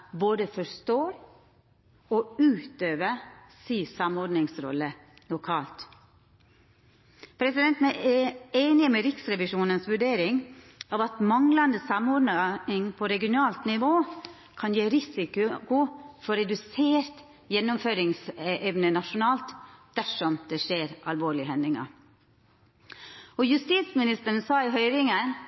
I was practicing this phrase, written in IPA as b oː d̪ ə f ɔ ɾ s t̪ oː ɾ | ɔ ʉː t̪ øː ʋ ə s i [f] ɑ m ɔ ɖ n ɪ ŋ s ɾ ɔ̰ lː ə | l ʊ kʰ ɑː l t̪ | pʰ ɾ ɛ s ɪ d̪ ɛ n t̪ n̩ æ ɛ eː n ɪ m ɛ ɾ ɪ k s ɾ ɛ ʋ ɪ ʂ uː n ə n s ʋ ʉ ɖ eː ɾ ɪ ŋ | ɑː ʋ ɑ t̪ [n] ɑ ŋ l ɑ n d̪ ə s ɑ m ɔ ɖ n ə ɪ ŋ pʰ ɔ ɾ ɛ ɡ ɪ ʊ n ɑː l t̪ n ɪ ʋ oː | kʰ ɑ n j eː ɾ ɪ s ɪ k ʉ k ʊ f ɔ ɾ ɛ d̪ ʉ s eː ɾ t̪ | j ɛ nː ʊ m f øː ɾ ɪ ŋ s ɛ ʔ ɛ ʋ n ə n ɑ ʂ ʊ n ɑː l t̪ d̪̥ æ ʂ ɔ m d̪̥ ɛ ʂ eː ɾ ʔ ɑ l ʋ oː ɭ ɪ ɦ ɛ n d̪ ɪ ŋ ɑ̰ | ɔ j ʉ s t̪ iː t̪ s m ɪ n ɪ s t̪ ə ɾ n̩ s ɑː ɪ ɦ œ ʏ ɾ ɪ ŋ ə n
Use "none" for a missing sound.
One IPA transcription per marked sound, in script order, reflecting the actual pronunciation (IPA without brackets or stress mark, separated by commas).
s, m